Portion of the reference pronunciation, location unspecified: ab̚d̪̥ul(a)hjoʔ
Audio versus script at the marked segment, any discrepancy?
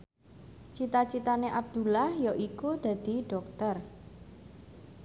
no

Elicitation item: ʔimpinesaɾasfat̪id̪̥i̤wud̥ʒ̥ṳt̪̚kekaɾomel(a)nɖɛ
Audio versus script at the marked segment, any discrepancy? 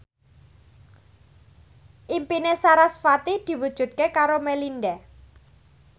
yes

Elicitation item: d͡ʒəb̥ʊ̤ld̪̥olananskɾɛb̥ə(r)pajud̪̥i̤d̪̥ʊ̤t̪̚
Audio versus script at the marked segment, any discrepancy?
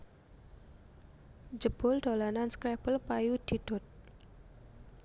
yes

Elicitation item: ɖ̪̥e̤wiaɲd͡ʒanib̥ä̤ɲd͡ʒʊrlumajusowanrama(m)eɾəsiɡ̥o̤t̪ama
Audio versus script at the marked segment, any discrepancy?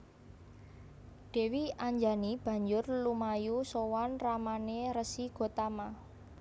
yes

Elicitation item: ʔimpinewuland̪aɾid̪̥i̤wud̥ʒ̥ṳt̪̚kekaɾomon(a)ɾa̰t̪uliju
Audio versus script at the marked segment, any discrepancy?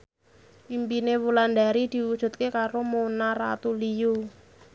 no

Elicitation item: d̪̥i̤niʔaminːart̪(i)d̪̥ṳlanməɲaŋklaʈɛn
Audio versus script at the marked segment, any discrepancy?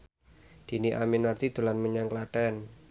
no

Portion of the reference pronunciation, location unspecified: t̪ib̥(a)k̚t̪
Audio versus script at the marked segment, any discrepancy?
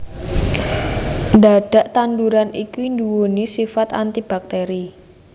no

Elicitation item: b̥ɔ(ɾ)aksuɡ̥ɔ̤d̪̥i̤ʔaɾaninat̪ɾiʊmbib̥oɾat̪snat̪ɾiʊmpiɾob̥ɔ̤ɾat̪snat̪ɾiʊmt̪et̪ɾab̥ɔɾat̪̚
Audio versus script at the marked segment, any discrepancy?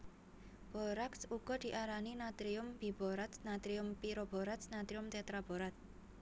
no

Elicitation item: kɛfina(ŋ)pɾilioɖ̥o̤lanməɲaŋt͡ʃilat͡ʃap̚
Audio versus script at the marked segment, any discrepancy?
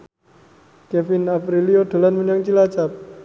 yes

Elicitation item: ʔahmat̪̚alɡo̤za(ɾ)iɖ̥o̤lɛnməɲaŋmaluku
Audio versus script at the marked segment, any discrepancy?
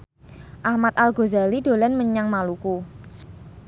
yes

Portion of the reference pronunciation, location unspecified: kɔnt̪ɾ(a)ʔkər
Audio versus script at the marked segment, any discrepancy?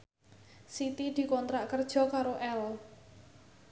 no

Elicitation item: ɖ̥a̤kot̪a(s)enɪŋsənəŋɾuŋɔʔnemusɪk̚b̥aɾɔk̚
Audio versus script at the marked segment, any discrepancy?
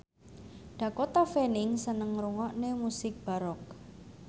yes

